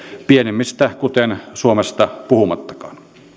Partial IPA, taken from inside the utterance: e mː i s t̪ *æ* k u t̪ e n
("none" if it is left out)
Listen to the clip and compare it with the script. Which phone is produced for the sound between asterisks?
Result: æ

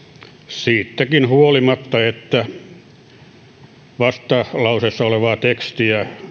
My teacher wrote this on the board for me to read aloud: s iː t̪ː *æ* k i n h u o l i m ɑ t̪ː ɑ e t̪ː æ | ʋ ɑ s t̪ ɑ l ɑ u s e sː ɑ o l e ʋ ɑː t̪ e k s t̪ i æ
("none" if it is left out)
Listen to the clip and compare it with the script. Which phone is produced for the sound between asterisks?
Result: æ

